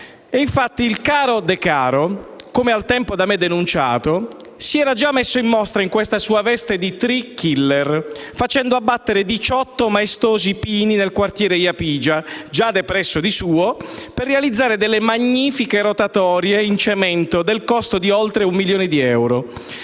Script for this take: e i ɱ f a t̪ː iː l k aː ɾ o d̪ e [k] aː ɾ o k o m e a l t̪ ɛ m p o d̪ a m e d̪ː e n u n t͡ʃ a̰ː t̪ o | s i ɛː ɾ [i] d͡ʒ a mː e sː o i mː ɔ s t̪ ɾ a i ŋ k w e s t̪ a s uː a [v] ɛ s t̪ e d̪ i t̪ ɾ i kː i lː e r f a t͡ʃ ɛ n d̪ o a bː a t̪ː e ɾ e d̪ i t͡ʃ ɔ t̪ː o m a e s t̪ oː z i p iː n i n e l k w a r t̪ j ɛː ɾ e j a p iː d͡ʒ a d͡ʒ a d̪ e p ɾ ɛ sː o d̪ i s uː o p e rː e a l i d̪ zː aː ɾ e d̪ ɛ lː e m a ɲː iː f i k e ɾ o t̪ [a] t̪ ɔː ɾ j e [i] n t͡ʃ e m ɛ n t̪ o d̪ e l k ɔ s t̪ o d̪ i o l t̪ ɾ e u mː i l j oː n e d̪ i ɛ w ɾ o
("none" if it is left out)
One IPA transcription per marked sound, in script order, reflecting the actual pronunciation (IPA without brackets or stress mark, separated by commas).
k, a, v, a, i